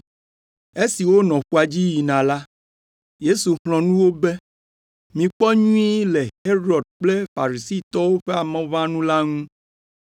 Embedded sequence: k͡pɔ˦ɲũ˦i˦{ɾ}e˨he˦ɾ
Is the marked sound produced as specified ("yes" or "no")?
no